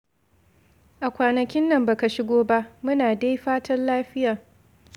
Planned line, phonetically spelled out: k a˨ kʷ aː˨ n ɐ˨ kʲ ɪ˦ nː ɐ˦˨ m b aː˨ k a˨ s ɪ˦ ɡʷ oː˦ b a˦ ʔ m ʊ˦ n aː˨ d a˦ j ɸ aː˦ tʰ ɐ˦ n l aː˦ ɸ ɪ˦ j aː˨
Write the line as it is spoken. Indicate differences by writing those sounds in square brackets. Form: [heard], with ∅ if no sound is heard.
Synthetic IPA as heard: [ʔ] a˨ kʷ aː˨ n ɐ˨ kʲ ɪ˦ nː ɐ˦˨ m b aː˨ k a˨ [ʃ] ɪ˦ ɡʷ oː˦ b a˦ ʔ m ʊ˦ n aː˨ d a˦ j ɸ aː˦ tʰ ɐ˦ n l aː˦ ɸ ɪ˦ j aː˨